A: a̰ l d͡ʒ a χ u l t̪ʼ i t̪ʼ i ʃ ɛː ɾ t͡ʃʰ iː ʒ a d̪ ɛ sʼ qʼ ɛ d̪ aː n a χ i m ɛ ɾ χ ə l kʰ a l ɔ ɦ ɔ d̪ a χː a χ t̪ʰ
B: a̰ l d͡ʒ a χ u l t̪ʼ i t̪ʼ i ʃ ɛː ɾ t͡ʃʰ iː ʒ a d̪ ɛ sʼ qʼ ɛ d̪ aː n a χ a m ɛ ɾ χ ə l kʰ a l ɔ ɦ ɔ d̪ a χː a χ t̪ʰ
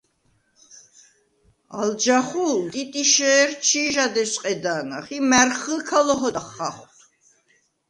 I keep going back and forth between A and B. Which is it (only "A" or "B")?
A